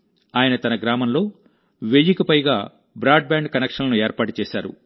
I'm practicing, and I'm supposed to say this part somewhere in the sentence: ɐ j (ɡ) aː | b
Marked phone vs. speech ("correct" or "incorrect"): correct